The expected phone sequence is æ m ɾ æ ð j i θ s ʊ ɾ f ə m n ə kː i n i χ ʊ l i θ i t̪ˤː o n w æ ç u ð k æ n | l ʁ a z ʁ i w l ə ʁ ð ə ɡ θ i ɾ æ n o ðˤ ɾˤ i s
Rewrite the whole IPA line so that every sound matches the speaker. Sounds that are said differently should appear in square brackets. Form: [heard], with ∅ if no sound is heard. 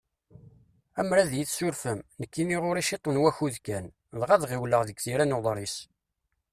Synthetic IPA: æ m ɾ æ ð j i θ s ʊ ɾ f ə m n ə kː i n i [ʁ] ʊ [ɾ] i [ʃ] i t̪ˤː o n w æ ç u ð k æ n | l ʁ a [ð] ʁ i w l ə ʁ ð ə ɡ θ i ɾ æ n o ðˤ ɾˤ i s